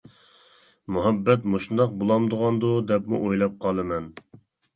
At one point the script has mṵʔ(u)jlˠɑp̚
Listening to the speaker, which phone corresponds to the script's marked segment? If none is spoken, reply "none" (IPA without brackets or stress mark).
o